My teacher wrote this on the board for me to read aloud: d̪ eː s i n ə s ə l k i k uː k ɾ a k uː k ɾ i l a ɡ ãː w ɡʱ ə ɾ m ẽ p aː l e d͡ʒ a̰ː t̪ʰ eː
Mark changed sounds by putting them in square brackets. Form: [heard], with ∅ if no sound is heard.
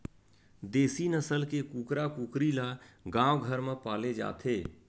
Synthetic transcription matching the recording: d̪ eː s i n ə s ə l k [e] k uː k ɾ a k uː k ɾ i l a ɡ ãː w ɡʱ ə ɾ m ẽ p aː l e d͡ʒ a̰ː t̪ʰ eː